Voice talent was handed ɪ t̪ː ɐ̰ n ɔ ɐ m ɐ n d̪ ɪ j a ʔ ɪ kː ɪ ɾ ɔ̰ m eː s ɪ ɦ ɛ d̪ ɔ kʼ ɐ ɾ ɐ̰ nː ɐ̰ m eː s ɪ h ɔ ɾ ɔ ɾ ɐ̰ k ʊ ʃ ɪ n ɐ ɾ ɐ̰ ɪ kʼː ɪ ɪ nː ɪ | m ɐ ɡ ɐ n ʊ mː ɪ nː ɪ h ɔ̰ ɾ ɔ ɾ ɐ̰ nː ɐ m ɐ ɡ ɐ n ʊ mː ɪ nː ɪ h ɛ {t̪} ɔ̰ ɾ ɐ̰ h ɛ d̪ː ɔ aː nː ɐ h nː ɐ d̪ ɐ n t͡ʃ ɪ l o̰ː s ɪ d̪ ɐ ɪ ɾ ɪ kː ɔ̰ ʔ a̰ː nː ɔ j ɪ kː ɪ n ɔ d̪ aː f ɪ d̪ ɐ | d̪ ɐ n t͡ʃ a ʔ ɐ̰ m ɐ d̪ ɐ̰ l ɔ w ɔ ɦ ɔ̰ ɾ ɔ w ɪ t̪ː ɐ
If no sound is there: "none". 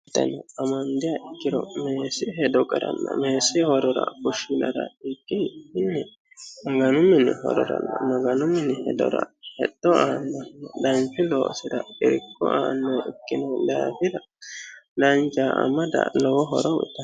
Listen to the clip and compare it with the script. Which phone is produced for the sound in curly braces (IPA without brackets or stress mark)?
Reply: d̪